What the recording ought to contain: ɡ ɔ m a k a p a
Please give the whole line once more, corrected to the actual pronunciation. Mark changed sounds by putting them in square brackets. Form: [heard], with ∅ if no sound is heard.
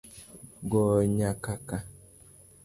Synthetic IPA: ɡ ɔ [ɲ] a k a [k] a